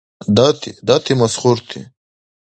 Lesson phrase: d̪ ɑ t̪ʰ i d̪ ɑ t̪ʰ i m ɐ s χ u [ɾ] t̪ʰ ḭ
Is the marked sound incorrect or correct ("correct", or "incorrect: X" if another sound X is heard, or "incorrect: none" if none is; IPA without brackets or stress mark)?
correct